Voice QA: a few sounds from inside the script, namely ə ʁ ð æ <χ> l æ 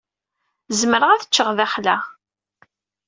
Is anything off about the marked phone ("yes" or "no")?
no